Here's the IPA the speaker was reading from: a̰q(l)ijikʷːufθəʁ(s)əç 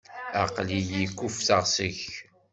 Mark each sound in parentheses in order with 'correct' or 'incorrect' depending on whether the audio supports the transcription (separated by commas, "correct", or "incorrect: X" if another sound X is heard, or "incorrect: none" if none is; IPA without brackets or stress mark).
correct, correct